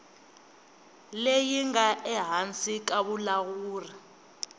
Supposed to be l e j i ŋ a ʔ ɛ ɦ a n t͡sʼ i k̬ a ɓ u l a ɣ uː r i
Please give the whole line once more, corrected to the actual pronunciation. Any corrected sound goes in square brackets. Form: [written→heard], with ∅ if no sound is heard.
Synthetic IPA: l e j i ŋ a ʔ ɛ ɦ a n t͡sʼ i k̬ a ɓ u l a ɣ uː r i